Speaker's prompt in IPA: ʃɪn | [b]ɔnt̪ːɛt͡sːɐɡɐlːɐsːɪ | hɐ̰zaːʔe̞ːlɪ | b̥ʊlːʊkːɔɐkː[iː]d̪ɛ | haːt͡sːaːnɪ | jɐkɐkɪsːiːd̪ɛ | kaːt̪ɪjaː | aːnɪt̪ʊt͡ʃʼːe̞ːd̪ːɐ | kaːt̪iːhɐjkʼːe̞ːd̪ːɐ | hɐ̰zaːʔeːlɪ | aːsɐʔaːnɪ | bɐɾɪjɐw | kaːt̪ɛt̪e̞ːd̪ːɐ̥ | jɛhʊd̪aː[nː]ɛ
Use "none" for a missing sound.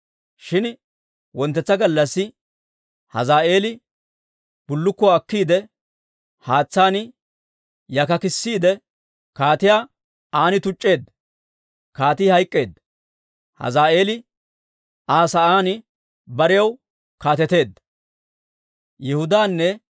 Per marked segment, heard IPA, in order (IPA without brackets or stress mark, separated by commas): w, iː, nː